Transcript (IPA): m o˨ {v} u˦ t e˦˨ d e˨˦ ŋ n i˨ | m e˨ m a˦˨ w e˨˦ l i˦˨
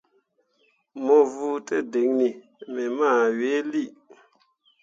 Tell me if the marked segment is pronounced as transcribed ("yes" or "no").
yes